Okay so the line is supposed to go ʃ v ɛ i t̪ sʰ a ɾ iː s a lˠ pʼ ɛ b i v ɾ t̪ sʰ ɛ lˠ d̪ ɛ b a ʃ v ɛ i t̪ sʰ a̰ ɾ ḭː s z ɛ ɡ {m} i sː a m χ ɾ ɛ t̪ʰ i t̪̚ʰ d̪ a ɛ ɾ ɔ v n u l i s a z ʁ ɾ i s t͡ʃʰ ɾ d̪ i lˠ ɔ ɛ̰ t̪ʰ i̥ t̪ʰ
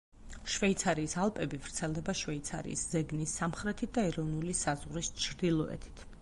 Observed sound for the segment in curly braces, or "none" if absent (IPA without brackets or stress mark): n